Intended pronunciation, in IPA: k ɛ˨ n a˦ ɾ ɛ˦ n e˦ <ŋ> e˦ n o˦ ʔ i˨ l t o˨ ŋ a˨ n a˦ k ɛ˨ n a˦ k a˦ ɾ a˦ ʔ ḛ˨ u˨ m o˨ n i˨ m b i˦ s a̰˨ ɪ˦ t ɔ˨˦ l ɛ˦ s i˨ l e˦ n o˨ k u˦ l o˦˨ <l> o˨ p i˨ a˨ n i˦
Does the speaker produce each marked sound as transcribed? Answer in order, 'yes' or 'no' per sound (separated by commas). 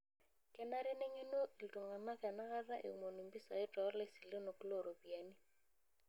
yes, no